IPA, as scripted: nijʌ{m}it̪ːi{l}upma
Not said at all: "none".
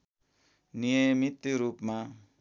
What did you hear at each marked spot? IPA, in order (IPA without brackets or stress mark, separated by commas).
m, ɾ